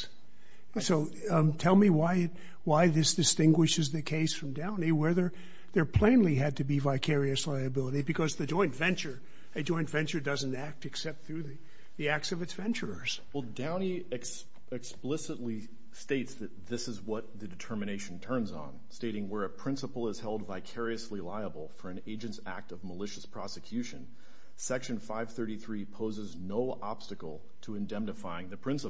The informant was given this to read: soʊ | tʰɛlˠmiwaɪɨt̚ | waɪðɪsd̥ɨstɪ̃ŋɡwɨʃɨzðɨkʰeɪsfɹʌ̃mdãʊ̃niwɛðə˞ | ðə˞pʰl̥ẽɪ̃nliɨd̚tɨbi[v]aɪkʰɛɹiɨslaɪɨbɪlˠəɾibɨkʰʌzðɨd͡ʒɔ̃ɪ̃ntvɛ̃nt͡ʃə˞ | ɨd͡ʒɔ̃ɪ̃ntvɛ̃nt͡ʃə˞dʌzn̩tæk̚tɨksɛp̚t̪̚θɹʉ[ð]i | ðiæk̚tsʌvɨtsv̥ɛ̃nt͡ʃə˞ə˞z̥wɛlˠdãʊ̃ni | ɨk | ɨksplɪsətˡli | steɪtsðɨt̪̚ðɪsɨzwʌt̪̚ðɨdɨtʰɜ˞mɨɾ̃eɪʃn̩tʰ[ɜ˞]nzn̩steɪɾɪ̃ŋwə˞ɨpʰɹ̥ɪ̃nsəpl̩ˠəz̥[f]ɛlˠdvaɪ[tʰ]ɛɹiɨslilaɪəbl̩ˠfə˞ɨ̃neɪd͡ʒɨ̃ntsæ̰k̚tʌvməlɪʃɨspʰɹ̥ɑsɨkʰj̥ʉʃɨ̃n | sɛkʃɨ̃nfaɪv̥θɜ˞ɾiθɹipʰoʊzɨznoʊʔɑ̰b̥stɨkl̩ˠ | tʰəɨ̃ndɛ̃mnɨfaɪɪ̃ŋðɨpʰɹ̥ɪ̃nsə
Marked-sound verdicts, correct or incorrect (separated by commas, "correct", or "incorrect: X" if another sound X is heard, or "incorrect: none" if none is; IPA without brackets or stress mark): correct, correct, incorrect: ɜ̃˞, incorrect: h, incorrect: kʰ